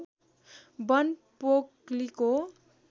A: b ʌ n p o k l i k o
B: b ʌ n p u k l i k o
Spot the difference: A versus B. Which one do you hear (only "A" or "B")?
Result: A